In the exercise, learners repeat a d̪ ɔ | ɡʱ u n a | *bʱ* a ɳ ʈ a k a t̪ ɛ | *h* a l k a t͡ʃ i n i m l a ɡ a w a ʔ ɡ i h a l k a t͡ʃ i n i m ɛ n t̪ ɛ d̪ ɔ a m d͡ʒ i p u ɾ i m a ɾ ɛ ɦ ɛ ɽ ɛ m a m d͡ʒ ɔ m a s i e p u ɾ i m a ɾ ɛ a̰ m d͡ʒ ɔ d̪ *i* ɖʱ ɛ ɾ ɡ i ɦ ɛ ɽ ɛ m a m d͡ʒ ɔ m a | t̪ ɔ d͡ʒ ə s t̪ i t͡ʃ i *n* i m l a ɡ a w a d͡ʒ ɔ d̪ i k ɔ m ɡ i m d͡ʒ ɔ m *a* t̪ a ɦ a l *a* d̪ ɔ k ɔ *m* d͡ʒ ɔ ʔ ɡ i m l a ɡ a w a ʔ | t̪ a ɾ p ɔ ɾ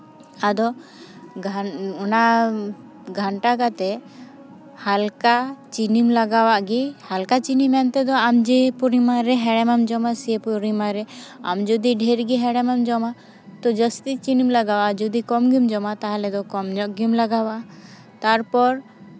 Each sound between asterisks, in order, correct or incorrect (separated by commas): incorrect, correct, correct, correct, correct, incorrect, correct